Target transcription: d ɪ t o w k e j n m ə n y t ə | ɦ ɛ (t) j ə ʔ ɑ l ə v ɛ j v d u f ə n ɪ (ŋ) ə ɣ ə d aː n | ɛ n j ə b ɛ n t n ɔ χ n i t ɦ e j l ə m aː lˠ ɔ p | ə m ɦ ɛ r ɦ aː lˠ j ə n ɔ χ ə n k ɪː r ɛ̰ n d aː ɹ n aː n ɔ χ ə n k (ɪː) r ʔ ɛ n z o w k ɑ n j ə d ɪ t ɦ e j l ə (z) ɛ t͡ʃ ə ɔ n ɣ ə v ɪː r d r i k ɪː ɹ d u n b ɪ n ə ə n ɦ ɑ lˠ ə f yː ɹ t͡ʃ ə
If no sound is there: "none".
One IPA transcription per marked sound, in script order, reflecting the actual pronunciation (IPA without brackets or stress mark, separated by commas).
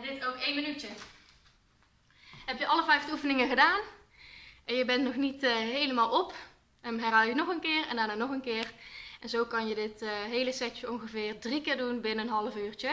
p, ŋ, ɪː, s